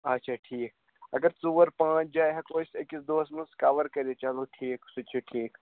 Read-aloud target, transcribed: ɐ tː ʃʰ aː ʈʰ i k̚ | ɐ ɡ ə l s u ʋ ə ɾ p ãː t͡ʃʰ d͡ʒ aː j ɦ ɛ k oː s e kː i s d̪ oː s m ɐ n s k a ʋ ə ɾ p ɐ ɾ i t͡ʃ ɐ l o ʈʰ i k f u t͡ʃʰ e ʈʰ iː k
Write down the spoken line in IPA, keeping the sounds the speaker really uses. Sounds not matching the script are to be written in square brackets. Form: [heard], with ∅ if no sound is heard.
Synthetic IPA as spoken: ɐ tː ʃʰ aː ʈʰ [iː] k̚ | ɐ ɡ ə [ɾ] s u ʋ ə ɾ p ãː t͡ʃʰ d͡ʒ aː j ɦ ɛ k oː s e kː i s d̪ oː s m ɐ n s k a ʋ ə ɾ [k] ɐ ɾ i t͡ʃ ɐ l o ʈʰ [iː] k [s] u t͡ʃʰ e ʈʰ iː k